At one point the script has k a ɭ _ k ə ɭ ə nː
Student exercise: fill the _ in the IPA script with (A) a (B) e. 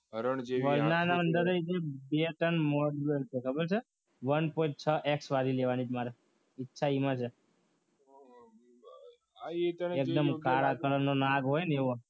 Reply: A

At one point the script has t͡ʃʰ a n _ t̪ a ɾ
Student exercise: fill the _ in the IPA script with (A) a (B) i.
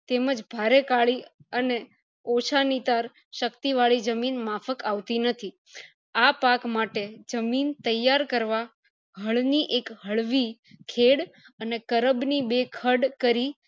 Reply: B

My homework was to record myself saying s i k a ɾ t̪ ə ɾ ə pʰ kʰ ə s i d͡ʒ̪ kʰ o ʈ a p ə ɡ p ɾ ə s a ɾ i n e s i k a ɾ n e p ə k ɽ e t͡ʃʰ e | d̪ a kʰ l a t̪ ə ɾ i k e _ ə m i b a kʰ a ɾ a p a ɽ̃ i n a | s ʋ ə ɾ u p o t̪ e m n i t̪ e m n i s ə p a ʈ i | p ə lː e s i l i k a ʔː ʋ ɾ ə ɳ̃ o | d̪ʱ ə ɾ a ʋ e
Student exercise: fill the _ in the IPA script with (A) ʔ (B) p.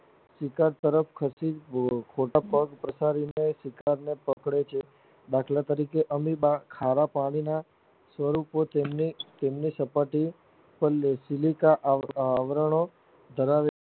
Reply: A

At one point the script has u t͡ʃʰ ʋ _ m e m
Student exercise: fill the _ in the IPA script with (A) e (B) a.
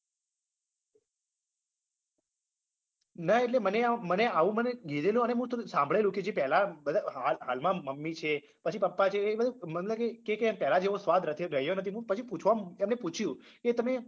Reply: B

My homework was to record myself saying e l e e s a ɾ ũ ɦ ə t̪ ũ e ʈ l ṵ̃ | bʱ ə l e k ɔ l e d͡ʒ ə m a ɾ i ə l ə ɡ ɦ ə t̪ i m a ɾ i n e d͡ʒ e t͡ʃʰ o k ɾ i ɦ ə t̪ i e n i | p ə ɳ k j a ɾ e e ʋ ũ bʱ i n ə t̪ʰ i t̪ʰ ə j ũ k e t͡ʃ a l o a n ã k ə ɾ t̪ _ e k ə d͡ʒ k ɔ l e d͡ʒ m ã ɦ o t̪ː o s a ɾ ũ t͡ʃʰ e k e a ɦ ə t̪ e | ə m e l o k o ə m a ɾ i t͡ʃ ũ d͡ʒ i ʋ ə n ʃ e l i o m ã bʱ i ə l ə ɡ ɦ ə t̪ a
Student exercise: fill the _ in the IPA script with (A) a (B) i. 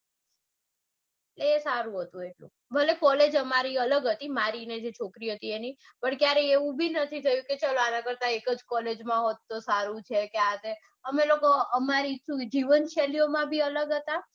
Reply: A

